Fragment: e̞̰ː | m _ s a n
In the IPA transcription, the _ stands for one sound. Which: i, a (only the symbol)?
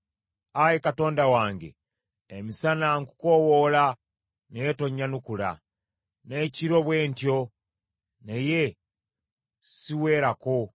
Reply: i